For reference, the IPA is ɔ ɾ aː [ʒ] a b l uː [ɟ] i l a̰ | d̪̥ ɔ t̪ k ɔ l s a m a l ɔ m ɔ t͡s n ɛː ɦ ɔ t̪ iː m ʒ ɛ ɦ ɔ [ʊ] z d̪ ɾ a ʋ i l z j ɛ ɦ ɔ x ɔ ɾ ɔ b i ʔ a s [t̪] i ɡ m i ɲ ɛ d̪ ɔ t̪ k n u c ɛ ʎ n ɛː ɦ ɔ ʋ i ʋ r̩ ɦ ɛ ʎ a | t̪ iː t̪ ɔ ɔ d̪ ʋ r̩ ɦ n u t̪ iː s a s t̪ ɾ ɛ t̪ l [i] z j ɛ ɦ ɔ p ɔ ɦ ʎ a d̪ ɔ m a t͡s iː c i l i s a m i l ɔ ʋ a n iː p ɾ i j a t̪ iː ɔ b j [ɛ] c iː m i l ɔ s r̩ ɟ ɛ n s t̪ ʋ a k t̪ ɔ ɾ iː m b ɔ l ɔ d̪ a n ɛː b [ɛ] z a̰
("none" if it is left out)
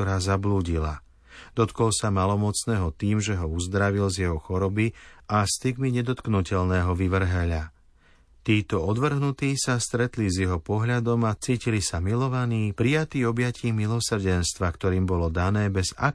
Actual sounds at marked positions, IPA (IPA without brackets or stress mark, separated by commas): z, ɟ, u, t̪, i, a, ɛ